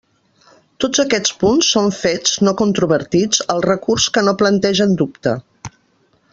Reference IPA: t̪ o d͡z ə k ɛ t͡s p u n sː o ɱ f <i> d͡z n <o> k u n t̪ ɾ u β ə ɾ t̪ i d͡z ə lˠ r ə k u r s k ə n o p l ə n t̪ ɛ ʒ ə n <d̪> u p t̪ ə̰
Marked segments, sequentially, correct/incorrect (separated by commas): incorrect, correct, correct